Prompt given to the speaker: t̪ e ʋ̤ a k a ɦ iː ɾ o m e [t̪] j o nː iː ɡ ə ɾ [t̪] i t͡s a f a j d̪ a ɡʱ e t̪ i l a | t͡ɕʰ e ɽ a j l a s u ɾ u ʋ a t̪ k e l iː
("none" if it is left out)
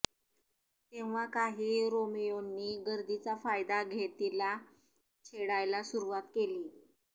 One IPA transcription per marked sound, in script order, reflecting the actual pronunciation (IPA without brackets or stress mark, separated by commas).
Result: none, d̪